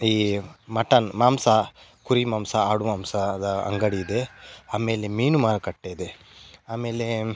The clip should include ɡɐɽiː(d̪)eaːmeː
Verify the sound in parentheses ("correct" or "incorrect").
correct